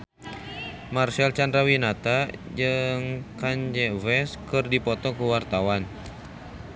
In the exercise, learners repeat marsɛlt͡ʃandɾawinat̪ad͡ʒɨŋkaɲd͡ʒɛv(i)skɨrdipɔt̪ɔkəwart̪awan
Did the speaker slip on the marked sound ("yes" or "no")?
yes